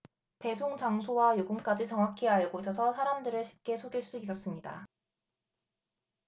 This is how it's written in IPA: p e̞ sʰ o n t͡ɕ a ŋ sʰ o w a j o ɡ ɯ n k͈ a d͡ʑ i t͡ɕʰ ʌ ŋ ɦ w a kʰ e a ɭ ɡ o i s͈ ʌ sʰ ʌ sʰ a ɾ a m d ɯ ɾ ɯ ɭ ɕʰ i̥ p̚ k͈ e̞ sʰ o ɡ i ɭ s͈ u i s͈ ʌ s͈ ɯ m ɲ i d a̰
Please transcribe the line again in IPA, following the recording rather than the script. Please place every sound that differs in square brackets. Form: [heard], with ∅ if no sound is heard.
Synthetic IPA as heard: p e̞ sʰ o [ŋ] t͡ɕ a ŋ sʰ o w a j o ɡ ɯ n k͈ a d͡ʑ i [t͡ɕ] ʌ ŋ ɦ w a kʰ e a ɭ ɡ o i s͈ ʌ sʰ ʌ sʰ a ɾ a m d ɯ ɾ ɯ ɭ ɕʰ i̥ p̚ k͈ e̞ sʰ o ɡ i ɭ s͈ u i s͈ ʌ s͈ ɯ m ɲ i d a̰